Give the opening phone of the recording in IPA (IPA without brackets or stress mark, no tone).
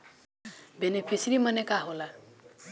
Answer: b